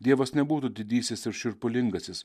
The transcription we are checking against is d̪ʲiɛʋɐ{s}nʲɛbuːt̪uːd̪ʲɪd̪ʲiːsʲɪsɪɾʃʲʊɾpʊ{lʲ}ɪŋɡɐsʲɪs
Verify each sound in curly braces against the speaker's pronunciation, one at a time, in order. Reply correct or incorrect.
correct, correct

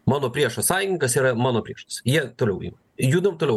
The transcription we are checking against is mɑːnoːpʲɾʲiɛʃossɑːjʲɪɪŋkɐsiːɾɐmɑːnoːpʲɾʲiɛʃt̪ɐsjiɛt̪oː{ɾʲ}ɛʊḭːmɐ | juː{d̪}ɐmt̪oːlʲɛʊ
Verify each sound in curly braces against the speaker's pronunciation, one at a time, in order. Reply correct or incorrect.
incorrect: lʲ, correct

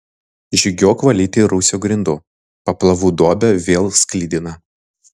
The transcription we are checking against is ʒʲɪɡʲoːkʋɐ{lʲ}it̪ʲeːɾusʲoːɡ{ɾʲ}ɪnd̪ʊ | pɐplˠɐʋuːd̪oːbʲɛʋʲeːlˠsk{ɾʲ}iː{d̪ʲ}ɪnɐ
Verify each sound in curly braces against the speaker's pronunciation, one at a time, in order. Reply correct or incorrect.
correct, correct, incorrect: lʲ, correct

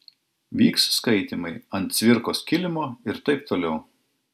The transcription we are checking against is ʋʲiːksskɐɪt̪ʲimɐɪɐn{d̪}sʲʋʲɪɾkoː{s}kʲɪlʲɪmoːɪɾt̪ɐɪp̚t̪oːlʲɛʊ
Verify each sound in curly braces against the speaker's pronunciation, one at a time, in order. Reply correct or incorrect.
incorrect: t̪, correct

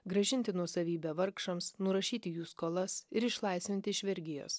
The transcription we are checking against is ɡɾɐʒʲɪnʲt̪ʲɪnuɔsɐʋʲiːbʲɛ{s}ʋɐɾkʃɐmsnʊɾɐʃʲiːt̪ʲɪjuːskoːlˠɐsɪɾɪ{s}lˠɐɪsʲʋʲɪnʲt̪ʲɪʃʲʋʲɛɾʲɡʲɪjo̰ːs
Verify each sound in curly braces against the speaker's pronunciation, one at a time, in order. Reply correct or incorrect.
incorrect: none, incorrect: ʃ

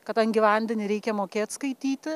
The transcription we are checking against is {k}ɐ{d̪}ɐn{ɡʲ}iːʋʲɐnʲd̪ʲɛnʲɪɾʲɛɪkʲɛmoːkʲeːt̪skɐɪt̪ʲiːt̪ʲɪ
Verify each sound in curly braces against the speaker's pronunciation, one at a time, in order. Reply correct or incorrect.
correct, incorrect: t̪, correct

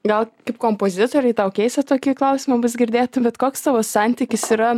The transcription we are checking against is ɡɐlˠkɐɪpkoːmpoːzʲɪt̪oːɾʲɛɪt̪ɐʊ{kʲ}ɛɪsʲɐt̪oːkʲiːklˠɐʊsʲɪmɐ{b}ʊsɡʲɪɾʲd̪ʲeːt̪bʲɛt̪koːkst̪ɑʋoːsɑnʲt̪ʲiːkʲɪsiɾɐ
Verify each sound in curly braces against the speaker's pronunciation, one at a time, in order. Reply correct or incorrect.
correct, correct

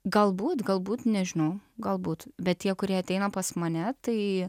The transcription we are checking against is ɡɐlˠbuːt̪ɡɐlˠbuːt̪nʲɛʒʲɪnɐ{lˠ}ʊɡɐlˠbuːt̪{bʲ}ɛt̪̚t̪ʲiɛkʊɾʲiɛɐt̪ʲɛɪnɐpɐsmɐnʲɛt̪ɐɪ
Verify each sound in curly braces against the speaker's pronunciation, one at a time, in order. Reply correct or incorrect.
incorrect: none, correct

